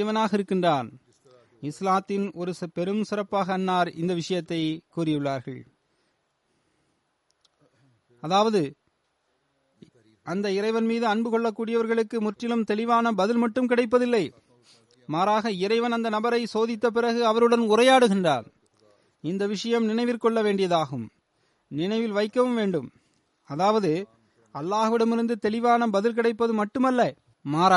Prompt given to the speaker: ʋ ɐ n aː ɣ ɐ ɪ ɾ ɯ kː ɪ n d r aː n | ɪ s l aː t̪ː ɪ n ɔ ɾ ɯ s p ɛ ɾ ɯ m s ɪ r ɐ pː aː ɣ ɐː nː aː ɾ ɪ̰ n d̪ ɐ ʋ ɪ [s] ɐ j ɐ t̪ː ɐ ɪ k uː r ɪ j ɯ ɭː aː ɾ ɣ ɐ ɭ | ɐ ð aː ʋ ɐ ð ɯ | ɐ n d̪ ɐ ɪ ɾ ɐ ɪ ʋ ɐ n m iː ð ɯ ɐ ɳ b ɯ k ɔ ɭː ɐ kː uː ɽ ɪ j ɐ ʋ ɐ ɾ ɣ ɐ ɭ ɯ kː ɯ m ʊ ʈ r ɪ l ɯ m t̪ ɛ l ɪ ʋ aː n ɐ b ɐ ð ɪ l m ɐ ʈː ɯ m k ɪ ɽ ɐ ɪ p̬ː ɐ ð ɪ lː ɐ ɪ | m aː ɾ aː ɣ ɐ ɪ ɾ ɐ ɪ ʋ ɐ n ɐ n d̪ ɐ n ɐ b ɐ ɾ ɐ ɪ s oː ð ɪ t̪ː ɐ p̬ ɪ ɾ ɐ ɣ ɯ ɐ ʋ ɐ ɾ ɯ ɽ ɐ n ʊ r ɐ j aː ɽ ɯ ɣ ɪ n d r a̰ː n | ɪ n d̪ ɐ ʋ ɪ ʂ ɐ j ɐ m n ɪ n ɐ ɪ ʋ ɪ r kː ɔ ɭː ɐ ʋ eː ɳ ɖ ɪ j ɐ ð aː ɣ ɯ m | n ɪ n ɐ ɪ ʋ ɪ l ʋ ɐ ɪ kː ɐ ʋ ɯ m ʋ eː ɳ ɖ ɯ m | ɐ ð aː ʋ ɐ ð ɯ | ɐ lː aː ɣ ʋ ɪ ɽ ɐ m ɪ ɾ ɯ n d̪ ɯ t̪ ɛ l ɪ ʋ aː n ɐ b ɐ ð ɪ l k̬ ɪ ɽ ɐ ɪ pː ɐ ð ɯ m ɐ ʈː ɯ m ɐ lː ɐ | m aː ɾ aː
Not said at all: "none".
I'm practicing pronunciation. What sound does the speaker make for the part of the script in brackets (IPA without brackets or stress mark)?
ʂ